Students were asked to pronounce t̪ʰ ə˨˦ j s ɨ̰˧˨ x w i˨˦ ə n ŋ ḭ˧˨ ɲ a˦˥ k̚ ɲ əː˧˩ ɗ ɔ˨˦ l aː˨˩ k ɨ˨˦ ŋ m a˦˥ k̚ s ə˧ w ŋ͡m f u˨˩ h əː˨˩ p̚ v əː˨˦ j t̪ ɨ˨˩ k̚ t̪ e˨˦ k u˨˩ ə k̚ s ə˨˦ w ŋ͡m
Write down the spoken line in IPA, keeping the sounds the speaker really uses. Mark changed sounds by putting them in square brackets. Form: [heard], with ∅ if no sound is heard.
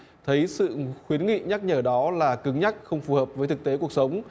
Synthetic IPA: t̪ʰ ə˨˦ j s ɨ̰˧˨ x w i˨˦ ə n ŋ ḭ˧˨ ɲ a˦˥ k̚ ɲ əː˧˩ ɗ ɔ˨˦ l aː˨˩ k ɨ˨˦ ŋ [ɲ] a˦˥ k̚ [x] ə˧ w ŋ͡m f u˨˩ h əː˨˩ p̚ v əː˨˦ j t̪ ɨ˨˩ k̚ t̪ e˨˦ k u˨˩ ə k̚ s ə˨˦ w ŋ͡m

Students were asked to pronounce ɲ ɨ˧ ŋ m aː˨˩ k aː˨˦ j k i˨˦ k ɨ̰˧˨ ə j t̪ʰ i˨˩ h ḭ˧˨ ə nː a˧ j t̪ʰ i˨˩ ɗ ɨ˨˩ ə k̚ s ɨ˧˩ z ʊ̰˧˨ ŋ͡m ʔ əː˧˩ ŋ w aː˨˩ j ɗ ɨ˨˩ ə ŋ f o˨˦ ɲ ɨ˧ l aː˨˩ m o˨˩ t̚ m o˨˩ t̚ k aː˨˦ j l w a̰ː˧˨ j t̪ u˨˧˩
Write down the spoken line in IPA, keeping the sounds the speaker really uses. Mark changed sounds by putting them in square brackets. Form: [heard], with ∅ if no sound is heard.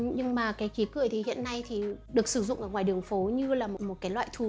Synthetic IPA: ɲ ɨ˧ ŋ m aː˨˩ k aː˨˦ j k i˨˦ k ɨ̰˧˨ ə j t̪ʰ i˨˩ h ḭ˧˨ ə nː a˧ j t̪ʰ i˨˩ ɗ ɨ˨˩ ə k̚ s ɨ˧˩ z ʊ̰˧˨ ŋ͡m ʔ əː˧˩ ŋ w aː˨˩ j ɗ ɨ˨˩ ə ŋ f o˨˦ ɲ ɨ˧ l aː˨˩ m o˨˩ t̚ m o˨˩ t̚ k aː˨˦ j l w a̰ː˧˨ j [t̪ʰ] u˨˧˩

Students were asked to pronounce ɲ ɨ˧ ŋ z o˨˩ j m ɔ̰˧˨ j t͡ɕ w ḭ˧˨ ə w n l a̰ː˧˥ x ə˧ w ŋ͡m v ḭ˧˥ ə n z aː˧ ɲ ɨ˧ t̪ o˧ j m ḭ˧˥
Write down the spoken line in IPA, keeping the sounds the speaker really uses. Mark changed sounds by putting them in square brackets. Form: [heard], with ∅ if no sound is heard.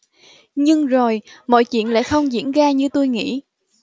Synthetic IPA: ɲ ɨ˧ ŋ z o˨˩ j m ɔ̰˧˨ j t͡ɕ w ḭ˧˨ ə [∅] n l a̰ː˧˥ x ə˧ w ŋ͡m [z] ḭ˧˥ ə n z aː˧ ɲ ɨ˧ t̪ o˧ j [ŋ] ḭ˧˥

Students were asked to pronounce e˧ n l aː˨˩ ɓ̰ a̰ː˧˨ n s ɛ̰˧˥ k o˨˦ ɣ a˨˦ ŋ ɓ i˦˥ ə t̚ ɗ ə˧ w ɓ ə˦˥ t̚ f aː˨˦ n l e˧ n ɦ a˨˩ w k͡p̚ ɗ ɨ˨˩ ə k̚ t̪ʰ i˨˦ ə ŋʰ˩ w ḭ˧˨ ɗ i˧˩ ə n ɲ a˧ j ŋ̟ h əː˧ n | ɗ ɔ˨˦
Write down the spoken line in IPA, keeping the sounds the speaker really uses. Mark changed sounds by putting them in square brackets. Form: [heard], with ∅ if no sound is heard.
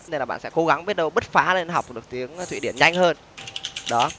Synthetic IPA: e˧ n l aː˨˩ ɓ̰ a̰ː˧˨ n s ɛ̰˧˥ k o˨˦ ɣ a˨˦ ŋ ɓ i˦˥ ə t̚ ɗ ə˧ w ɓ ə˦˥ t̚ f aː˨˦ [∅] l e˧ n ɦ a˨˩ w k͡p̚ ɗ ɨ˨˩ ə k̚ [t̪] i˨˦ ə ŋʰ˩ w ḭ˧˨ ɗ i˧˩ ə n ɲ a˧ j ŋ̟ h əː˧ n | ɗ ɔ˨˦

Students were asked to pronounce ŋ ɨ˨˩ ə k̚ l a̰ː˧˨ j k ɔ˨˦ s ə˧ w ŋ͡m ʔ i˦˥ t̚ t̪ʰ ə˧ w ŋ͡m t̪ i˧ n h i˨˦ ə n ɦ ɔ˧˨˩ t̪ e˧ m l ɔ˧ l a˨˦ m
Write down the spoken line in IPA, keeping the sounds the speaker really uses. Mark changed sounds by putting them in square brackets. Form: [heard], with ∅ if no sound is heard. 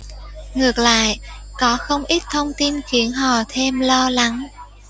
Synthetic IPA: ŋ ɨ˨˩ ə k̚ l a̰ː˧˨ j k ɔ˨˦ [x] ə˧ w ŋ͡m ʔ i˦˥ t̚ t̪ʰ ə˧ w ŋ͡m t̪ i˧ n [x] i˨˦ ə n ɦ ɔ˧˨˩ [t̪ʰ] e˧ m l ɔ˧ l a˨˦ [ŋ]

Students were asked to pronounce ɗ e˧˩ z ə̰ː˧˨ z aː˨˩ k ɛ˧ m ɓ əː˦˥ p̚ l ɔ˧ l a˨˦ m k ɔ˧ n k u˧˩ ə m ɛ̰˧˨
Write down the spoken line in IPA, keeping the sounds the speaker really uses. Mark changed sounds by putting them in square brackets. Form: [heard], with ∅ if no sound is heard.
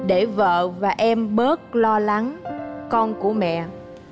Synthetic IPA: ɗ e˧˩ [v] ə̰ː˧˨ [v] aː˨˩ [ʔ] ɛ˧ m ɓ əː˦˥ [t̚] l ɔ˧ l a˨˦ [ŋ] k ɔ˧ n k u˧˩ ə m ɛ̰˧˨

